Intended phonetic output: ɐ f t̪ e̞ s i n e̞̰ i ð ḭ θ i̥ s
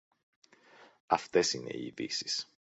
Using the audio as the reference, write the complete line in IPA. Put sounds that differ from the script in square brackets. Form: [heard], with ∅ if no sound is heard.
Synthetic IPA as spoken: ɐ f t̪ e̞ s i n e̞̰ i ð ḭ [s] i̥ s